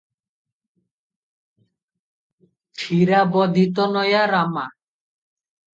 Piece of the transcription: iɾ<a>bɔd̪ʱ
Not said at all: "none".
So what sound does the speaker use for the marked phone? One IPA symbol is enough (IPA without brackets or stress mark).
a